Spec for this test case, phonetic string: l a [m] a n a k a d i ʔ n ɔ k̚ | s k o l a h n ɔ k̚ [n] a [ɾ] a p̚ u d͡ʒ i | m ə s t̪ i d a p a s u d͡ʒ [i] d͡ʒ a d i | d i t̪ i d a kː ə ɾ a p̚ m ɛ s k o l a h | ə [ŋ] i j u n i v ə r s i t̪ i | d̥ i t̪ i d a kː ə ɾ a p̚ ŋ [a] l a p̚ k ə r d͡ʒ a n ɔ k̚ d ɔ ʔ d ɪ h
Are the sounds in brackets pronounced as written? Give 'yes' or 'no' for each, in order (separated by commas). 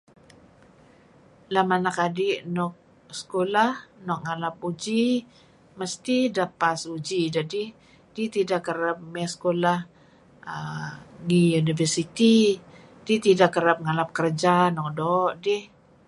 yes, no, no, yes, yes, yes